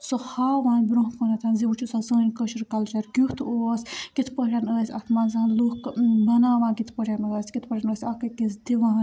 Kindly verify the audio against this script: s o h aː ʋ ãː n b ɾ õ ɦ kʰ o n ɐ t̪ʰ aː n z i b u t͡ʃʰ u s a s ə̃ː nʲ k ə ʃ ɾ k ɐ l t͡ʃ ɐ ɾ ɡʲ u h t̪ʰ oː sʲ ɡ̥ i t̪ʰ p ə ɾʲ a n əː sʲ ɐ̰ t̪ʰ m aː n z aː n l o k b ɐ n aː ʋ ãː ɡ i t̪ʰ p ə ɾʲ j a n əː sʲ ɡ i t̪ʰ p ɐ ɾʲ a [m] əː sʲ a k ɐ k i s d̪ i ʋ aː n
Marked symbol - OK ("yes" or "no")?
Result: no